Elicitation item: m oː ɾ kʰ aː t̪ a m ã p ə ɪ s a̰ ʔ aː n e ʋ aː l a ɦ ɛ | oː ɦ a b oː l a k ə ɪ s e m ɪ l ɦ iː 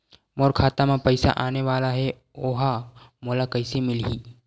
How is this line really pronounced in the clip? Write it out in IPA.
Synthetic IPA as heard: m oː ɾ kʰ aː t̪ a m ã p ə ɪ s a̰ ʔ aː n e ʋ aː l a ɦ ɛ | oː ɦ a m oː l a k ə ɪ s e m ɪ l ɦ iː